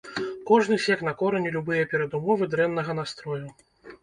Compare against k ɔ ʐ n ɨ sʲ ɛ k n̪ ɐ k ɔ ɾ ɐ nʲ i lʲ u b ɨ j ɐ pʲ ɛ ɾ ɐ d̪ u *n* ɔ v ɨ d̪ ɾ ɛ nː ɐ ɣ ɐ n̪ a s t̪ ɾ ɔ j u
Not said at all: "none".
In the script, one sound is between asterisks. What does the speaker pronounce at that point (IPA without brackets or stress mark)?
m